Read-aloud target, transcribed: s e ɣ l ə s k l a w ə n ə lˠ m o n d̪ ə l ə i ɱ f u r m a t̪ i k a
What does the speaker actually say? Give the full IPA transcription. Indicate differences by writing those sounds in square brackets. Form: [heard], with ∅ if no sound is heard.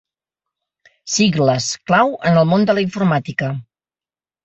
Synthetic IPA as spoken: s [i] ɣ l ə s k l a w ə n ə lˠ m o n d̪ ə l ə i ɱ f u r m a t̪ i k [ə]